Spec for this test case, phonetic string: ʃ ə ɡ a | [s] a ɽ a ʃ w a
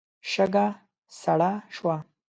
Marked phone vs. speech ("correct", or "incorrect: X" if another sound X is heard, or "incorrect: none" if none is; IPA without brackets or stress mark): correct